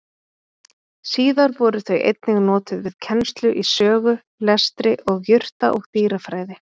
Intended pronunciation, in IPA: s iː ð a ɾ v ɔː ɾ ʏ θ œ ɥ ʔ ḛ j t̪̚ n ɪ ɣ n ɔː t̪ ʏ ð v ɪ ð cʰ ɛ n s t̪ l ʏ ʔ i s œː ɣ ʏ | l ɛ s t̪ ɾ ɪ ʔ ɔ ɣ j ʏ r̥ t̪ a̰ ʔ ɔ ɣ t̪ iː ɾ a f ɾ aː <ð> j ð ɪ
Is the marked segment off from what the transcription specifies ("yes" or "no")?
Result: yes